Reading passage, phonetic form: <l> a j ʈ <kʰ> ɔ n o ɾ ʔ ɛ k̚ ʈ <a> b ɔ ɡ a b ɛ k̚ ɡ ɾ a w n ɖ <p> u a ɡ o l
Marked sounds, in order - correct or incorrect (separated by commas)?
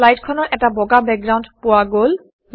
correct, correct, correct, correct